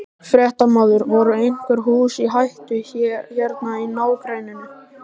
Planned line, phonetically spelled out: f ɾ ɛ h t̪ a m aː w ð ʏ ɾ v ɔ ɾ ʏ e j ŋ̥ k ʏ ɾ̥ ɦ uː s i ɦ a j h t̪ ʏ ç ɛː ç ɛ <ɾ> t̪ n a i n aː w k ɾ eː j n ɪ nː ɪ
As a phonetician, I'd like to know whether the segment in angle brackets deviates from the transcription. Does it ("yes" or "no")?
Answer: no